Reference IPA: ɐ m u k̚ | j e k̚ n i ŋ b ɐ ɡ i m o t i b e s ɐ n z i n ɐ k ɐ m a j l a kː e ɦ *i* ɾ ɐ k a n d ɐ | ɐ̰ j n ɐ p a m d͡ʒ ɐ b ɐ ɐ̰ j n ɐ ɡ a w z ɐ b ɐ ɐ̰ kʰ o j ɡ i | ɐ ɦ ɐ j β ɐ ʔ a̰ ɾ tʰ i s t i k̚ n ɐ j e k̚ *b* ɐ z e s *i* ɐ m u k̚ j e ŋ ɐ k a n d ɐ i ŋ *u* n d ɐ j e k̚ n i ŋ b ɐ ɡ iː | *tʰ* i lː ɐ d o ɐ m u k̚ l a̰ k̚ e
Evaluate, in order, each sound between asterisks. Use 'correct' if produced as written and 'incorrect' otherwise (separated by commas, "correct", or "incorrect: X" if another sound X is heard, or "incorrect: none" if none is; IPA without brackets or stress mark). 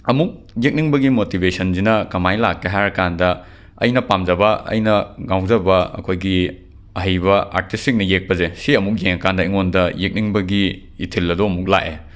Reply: incorrect: a, incorrect: p, correct, incorrect: o, correct